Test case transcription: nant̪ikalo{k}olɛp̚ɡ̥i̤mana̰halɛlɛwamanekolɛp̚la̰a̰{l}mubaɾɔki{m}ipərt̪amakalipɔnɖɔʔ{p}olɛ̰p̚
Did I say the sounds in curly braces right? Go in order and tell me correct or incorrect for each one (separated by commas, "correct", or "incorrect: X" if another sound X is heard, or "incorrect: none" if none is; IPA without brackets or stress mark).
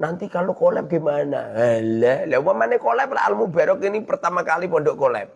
correct, correct, incorrect: n, incorrect: k